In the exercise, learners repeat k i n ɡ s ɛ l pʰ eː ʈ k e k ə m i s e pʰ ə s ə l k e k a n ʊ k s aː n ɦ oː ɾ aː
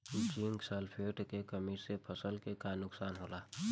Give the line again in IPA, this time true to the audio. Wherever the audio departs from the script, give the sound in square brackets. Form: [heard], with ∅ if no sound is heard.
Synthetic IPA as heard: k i [ŋ] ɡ s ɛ l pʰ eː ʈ k e k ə m i s e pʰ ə s ə l k e k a n ʊ k s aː n ɦ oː [l] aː